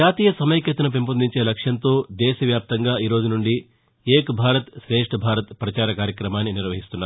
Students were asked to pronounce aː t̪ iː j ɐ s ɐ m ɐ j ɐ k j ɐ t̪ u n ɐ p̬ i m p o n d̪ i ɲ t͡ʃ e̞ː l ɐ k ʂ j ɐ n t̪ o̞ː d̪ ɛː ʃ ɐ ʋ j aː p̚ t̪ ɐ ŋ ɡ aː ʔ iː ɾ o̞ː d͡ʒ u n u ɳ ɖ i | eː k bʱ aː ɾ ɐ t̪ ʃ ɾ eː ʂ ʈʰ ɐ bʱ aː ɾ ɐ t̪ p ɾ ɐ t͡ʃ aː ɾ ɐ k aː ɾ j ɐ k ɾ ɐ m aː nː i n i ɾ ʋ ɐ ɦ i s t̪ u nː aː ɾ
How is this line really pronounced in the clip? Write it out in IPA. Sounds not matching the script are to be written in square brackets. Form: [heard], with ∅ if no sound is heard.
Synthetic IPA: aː t̪ iː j ɐ s ɐ m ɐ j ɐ k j ɐ t̪ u n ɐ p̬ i m p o n d̪ i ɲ t͡ʃ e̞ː l ɐ k ʂ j ɐ n t̪ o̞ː d̪ ɛː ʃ ɐ ʋ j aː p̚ t̪ ɐ ŋ ɡ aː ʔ iː ɾ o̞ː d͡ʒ u n u ɳ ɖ i | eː k bʱ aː ɾ ɐ t̪ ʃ ɾ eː ʂ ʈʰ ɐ bʱ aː ɾ ɐ t̪ p ɾ ɐ t͡ʃ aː ɾ ɐ k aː ɾ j ɐ k ɾ ɐ m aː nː i n i ɾ ʋ ɐ ɦ i s t̪ u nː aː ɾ